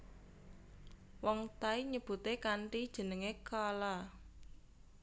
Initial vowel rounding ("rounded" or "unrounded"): rounded